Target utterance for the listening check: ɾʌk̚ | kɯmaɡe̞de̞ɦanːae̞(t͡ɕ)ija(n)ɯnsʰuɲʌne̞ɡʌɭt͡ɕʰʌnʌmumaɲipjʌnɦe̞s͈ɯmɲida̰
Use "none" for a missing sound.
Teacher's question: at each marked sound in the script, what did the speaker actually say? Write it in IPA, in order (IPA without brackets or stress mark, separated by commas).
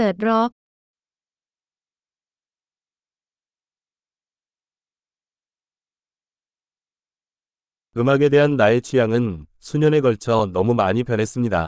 t͡ɕʰ, ŋ